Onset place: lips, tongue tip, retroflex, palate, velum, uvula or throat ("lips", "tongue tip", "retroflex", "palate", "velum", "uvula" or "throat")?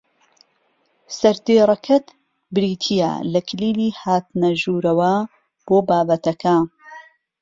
tongue tip